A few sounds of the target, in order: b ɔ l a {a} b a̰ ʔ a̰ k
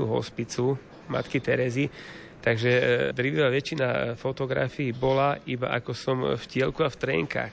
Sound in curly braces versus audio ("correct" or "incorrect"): incorrect